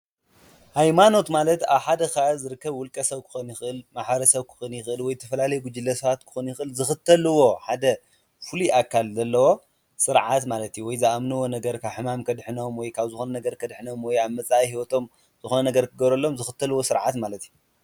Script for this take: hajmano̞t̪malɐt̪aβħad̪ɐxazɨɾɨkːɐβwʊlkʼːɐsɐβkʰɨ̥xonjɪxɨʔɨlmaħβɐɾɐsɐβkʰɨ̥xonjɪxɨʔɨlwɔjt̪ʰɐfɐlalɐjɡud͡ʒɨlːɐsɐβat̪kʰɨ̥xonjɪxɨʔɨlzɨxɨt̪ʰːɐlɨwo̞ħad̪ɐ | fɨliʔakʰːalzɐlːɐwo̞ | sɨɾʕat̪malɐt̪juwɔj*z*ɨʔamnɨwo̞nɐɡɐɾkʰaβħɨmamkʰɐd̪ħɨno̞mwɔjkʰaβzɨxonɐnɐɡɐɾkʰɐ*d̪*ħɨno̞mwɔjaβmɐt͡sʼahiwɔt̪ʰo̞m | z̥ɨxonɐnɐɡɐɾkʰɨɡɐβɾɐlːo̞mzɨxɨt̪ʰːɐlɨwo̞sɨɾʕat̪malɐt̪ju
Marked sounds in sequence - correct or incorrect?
correct, correct

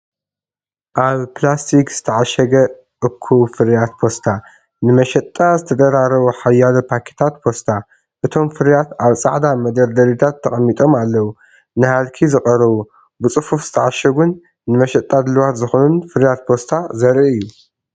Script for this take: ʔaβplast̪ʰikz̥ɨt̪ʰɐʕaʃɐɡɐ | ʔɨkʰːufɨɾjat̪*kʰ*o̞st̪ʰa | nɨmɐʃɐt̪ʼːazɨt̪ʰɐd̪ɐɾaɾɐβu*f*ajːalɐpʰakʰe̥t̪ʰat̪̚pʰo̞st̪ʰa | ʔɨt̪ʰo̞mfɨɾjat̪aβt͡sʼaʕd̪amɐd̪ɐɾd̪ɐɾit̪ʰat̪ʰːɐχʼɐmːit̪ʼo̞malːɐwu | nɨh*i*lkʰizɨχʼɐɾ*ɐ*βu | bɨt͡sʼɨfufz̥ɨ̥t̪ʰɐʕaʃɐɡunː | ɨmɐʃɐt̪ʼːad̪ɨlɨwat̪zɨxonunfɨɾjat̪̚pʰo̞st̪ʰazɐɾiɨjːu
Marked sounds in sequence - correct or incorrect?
incorrect: pʰ, incorrect: ħ, incorrect: a, correct

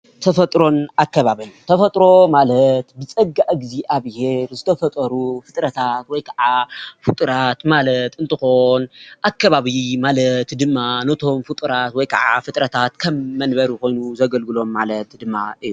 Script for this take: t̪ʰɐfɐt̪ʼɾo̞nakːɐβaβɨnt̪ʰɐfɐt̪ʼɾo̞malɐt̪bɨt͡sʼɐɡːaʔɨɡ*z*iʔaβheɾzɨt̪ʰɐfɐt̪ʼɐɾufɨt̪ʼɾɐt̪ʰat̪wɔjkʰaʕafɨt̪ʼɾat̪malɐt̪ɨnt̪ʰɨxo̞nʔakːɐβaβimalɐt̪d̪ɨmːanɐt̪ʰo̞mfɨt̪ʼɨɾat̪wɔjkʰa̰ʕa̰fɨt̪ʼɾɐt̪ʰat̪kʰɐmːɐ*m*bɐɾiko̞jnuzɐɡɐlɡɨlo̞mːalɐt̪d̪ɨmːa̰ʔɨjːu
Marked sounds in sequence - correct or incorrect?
correct, incorrect: n

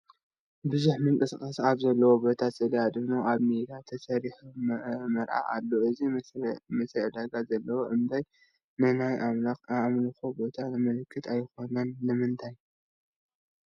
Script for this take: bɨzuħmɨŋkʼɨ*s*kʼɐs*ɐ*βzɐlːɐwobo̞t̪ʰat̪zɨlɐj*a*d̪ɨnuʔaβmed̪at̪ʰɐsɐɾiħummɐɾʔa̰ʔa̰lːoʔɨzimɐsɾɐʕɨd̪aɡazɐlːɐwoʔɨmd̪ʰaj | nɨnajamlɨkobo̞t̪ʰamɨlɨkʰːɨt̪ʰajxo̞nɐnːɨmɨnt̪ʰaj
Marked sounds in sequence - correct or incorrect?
correct, incorrect: a, correct

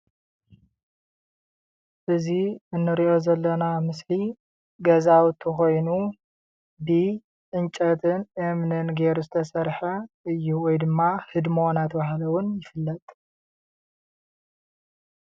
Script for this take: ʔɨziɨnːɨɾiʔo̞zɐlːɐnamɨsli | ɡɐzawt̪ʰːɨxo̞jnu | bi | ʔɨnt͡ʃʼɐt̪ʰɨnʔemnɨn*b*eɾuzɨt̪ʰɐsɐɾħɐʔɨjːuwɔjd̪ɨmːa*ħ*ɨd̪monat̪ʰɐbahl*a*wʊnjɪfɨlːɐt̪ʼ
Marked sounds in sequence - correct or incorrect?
incorrect: ɡ, incorrect: h, incorrect: ɐ

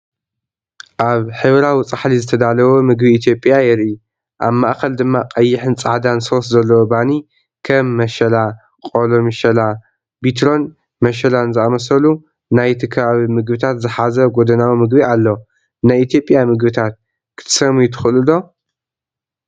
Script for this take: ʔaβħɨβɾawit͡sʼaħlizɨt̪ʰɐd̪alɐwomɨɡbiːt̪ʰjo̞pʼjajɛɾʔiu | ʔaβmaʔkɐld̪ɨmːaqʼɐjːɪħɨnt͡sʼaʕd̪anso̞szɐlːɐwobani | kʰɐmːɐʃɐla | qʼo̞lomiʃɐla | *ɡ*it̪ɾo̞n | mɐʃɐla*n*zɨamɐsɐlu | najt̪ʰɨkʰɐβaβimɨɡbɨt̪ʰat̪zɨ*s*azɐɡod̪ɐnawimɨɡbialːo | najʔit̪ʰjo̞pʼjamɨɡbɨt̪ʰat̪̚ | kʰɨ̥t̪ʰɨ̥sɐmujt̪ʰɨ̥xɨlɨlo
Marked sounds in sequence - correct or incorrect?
incorrect: b, correct, incorrect: ħ

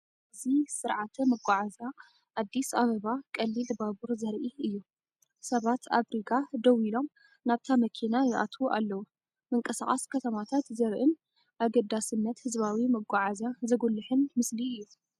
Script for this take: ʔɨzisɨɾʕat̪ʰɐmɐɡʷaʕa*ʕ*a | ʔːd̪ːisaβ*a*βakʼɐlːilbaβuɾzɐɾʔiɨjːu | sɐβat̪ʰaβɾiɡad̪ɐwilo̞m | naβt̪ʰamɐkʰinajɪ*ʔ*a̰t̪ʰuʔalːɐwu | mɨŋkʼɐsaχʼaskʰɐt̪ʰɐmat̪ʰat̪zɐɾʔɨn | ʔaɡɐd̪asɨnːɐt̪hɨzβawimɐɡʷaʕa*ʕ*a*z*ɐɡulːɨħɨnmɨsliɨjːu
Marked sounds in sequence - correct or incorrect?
incorrect: z, incorrect: ɐ, correct, incorrect: z, correct

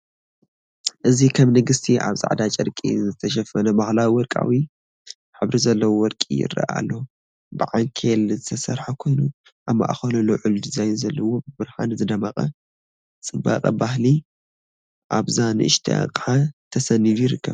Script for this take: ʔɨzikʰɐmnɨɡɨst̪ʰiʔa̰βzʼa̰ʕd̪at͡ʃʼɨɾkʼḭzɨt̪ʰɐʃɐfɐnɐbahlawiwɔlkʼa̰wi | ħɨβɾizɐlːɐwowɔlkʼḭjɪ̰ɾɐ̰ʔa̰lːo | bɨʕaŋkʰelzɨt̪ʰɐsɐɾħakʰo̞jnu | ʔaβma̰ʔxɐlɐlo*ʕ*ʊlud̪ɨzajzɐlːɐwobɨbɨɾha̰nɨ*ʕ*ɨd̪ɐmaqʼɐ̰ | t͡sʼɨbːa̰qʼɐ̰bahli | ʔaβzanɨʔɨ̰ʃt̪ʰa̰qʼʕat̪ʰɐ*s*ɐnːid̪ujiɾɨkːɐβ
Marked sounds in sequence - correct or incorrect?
correct, incorrect: z, correct

